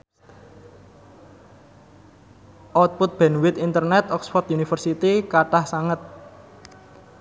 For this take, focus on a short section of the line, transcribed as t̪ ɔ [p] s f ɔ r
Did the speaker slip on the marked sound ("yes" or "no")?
yes